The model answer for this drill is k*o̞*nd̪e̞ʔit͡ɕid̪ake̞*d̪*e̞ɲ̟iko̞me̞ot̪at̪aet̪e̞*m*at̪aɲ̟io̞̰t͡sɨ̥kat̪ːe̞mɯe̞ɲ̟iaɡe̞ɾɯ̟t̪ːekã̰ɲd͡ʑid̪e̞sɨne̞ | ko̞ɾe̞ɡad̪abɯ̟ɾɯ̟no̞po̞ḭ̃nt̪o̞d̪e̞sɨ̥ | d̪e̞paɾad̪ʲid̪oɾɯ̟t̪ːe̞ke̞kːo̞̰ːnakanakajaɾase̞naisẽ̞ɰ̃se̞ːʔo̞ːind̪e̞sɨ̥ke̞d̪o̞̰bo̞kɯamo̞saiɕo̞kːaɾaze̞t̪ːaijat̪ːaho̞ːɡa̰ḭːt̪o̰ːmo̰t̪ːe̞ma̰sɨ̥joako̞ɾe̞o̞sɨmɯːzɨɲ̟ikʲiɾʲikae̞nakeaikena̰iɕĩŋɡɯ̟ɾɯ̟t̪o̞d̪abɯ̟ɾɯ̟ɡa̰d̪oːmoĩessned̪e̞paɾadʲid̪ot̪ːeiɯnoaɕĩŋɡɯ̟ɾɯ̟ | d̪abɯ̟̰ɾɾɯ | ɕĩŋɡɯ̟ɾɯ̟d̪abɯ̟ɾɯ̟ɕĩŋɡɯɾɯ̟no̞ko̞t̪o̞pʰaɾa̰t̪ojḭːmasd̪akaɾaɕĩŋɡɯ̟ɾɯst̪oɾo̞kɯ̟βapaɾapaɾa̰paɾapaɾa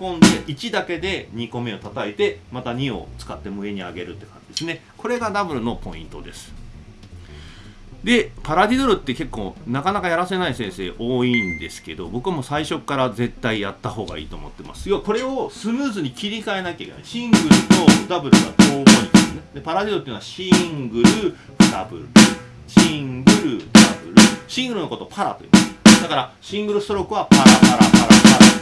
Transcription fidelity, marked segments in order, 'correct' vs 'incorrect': incorrect, correct, correct

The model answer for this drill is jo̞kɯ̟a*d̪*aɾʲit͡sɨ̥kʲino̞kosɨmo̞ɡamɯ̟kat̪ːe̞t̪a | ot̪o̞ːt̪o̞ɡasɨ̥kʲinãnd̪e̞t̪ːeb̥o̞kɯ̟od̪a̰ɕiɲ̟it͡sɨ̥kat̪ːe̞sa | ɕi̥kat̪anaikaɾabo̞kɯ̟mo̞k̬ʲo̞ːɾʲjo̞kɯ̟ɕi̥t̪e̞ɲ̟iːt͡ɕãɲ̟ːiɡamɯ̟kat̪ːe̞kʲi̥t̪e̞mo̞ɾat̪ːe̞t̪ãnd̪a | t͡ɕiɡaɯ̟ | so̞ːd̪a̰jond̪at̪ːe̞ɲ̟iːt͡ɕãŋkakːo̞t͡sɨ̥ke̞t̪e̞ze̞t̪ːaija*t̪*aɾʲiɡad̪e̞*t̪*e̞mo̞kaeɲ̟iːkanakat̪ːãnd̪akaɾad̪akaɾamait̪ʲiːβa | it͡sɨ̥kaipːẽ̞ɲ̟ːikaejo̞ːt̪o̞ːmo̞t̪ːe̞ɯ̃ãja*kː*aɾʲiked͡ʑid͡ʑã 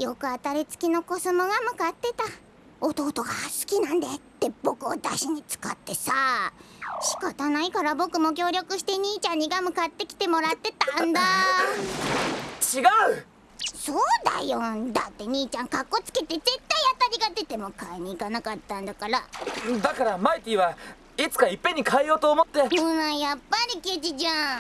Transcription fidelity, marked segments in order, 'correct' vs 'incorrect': incorrect, correct, correct, incorrect

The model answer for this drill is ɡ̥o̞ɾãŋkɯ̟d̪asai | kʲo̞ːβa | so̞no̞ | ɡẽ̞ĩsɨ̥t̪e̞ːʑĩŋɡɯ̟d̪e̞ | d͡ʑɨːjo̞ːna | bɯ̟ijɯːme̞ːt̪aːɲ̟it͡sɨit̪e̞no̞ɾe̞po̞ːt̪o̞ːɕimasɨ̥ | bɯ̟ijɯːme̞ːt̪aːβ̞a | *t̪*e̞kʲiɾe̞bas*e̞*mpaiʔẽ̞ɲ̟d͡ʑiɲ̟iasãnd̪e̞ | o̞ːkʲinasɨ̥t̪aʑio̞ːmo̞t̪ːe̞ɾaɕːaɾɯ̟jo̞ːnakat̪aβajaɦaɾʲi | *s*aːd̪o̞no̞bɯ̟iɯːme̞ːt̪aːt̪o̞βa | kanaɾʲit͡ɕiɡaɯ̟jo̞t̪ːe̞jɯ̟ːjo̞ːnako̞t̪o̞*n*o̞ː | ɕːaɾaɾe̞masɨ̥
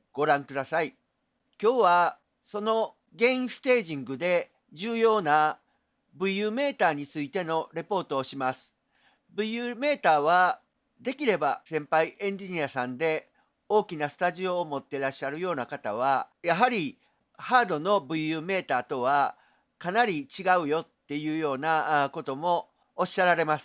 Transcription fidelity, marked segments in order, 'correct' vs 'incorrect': incorrect, incorrect, incorrect, incorrect

